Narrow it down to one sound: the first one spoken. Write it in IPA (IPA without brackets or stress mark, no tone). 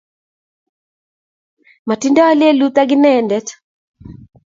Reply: m